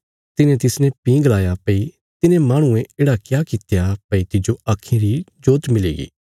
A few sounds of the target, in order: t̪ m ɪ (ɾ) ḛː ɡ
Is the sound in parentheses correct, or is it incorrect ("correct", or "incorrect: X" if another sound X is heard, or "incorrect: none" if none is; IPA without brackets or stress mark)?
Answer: incorrect: l